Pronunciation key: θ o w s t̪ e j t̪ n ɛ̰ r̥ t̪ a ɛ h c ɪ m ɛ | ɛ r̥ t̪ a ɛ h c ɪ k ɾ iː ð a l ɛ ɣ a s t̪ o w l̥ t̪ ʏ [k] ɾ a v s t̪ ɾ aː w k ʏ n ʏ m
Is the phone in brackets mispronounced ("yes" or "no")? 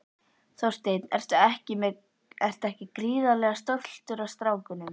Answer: yes